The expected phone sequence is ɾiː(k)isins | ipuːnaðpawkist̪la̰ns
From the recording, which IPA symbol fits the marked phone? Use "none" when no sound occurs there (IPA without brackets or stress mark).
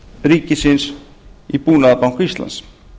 k